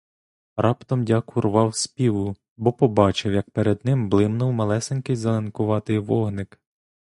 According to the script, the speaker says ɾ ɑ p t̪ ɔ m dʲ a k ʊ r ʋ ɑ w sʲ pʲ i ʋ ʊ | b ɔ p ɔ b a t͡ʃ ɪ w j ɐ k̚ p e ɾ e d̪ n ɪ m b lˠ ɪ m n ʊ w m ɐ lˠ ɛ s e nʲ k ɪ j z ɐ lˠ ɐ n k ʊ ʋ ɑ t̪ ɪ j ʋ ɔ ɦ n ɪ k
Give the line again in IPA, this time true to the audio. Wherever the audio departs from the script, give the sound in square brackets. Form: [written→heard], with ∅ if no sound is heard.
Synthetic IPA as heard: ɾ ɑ p t̪ ɔ m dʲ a k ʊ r ʋ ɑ w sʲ pʲ i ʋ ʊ | b ɔ p ɔ b [a→ɑ] t͡ʃ ɪ w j ɐ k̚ p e ɾ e d̪ n ɪ m b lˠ ɪ m n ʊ w m ɐ lˠ ɛ s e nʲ k ɪ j z ɐ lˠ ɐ n k ʊ ʋ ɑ t̪ ɪ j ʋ ɔ ɦ n ɪ k

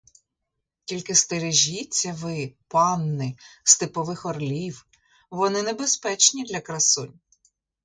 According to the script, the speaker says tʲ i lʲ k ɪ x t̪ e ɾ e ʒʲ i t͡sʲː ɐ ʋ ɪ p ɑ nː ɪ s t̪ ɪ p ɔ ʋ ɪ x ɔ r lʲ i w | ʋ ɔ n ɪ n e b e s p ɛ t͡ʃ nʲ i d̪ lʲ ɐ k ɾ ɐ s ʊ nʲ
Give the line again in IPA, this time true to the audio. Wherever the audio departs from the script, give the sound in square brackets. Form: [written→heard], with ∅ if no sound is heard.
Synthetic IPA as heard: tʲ i lʲ k ɪ [x→s] t̪ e ɾ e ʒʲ i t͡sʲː ɐ ʋ ɪ p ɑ nː ɪ s t̪ ɪ p ɔ ʋ ɪ x ɔ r lʲ i w | ʋ ɔ n ɪ n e b e s p ɛ t͡ʃ nʲ i d̪ lʲ ɐ k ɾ ɐ s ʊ nʲ

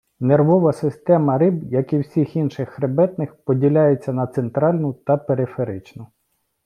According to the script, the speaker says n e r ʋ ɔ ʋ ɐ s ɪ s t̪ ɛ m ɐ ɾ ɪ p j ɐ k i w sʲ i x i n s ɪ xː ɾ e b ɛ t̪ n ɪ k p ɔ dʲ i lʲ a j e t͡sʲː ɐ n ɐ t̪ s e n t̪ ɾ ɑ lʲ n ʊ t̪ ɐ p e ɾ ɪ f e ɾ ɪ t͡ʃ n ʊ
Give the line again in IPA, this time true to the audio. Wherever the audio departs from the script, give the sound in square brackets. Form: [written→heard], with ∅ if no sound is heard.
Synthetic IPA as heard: n e r ʋ ɔ ʋ ɐ s ɪ s t̪ ɛ m ɐ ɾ ɪ [p→b] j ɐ k i w sʲ i x i n [s→ʃ] ɪ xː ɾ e b ɛ t̪ n ɪ [k→x] p ɔ dʲ i lʲ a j e t͡sʲː ɐ n ɐ t̪ s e n t̪ ɾ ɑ lʲ n ʊ t̪ ɐ p e ɾ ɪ f e ɾ ɪ t͡ʃ n ʊ

